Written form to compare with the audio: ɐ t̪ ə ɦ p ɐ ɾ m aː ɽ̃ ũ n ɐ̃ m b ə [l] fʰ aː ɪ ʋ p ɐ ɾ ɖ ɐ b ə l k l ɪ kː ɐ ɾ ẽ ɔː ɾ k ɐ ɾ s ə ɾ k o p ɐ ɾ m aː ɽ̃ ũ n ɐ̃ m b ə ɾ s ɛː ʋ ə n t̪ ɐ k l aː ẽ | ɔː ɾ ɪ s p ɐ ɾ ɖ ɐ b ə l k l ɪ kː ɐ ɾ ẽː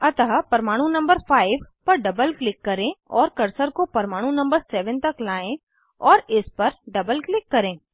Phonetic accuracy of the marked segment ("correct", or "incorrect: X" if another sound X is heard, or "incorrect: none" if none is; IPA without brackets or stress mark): incorrect: ɾ